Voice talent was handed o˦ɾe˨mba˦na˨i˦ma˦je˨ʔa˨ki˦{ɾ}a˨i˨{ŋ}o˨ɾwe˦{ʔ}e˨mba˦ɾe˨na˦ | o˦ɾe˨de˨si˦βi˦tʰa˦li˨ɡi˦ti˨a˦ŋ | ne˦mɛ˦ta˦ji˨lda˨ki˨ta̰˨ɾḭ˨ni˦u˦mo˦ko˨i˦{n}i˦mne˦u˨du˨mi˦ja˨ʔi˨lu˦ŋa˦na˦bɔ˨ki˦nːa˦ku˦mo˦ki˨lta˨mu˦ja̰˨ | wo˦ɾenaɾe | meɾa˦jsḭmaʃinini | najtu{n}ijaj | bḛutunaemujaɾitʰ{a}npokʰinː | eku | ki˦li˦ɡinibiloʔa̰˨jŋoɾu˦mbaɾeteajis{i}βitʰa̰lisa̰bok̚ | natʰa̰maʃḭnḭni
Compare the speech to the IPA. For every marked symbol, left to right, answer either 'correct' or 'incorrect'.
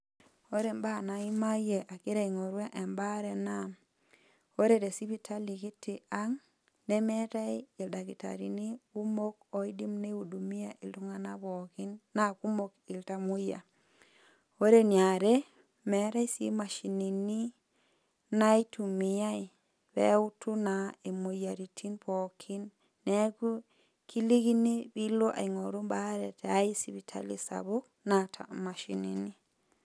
correct, correct, correct, incorrect, incorrect, incorrect, correct

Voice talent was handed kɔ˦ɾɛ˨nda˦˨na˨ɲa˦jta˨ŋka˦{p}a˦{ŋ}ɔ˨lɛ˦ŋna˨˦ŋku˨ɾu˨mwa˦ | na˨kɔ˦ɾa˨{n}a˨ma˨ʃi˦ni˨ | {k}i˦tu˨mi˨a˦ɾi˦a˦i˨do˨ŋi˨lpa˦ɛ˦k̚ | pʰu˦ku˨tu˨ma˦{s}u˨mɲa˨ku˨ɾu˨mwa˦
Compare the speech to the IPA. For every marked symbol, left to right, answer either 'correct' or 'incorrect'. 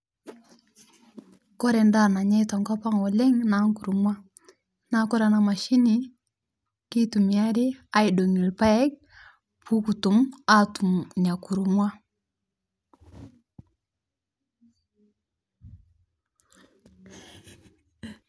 correct, correct, correct, correct, incorrect

